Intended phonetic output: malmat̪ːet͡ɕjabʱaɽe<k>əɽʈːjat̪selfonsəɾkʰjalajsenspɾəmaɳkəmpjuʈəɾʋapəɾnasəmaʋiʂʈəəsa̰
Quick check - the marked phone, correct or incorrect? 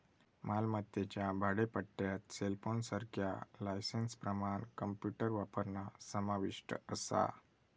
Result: incorrect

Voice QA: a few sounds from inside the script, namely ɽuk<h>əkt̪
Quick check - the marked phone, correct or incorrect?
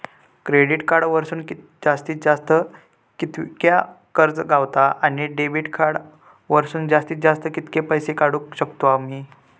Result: incorrect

